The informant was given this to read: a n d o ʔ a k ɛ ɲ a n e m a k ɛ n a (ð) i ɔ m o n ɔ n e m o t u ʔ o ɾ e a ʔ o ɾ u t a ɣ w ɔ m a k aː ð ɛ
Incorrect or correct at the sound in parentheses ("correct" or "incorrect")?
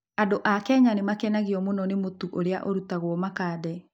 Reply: incorrect